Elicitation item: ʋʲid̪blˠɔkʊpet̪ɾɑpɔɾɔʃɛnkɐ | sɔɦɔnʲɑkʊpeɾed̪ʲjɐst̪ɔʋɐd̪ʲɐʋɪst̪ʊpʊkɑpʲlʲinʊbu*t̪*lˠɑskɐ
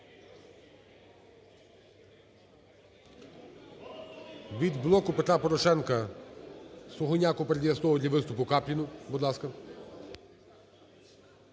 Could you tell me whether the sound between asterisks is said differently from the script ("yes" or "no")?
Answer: yes